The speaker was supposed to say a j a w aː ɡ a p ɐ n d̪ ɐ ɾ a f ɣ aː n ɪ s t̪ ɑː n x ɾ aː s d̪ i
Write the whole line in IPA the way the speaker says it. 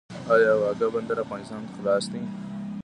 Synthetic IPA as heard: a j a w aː ɡ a b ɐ n d̪ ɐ ɾ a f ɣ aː n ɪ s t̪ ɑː n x l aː s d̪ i